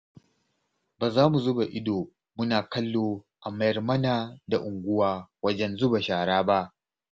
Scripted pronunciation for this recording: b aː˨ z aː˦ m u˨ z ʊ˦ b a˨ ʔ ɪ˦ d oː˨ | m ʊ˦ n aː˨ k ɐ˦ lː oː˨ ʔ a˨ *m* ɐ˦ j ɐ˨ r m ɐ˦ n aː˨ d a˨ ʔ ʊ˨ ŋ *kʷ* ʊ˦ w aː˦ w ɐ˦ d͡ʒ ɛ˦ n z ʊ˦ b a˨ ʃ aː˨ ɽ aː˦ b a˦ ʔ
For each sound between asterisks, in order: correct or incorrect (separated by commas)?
correct, incorrect